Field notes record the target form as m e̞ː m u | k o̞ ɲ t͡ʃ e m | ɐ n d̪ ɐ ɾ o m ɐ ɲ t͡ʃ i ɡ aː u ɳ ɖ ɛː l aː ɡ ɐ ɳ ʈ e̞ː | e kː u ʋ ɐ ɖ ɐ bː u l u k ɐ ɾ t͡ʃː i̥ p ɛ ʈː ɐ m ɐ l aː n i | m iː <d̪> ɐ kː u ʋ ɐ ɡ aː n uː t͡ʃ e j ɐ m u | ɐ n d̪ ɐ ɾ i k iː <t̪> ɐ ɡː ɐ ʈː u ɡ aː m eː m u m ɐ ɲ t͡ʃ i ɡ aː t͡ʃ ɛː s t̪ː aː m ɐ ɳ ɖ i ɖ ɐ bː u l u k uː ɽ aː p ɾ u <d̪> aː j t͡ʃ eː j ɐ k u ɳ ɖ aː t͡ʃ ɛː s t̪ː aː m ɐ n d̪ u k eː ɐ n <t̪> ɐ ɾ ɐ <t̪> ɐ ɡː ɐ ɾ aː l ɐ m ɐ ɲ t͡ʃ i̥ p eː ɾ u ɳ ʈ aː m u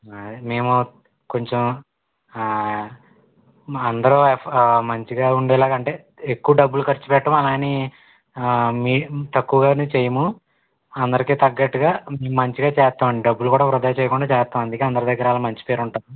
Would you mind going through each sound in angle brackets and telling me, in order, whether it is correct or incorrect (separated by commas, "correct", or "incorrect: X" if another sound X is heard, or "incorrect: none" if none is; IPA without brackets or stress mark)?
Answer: incorrect: t̪, correct, correct, incorrect: d̪, incorrect: d̪